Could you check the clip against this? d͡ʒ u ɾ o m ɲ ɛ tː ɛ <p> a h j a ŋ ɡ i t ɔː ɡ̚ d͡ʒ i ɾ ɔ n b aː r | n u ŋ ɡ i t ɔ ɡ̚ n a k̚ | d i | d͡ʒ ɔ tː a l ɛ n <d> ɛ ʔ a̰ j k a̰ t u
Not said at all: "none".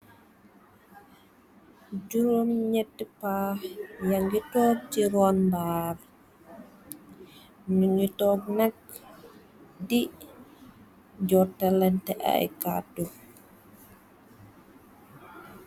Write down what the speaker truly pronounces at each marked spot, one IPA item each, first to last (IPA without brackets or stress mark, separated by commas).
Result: p, t